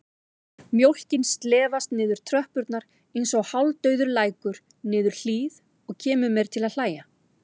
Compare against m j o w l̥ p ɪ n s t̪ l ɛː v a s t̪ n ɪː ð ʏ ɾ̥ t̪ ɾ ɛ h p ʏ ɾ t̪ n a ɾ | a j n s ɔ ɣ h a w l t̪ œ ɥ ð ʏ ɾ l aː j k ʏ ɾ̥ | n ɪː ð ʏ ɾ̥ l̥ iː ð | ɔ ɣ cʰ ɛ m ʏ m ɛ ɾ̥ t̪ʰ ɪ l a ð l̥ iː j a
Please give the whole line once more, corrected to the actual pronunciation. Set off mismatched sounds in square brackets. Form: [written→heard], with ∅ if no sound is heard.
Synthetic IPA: m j o w l̥ [p→c] ɪ n s t̪ l ɛː v a s t̪ n ɪː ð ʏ ɾ̥ [t̪→t̪ʰ] ɾ [ɛ→œ] h p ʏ ɾ t̪ n a ɾ | [a→e] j n s ɔ ɣ h a w l t̪ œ ɥ ð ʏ ɾ l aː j k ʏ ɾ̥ | n ɪː ð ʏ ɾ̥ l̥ iː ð | ɔ ɣ cʰ [ɛ→ɛː] m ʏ m ɛ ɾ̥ t̪ʰ ɪ l a ð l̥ [iː→aː] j a